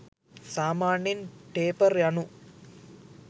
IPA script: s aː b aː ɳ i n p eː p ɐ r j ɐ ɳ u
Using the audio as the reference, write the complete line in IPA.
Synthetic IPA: s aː m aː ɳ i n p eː p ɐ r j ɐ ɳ u